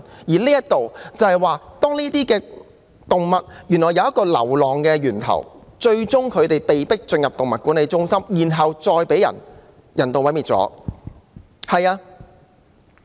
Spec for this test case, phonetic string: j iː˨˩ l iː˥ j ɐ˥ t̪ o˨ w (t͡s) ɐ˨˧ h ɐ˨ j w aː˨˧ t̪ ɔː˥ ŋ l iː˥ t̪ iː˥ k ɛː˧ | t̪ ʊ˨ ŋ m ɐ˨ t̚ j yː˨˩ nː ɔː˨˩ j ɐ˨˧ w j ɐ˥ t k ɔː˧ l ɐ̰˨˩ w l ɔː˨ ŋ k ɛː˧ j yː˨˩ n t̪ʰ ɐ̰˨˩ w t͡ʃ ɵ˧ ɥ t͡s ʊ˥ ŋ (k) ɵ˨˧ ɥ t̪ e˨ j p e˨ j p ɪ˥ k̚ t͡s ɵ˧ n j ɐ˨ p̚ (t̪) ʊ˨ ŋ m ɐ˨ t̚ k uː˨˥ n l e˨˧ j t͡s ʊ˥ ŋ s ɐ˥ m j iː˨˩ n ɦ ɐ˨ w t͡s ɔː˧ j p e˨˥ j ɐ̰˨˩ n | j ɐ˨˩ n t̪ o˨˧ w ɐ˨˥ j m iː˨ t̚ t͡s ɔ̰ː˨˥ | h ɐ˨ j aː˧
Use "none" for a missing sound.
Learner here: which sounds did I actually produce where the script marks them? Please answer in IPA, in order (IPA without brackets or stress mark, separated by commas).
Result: t͡s, kʰ, t̪